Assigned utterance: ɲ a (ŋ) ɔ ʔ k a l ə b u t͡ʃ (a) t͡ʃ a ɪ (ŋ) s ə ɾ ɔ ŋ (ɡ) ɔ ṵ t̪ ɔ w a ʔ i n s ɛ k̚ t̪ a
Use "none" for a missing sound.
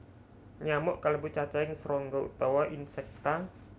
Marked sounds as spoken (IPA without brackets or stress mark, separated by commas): m, a, ŋ, ɡ